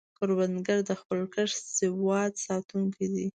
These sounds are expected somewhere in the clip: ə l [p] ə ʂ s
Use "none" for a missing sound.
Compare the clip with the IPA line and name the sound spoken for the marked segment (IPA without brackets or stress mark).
k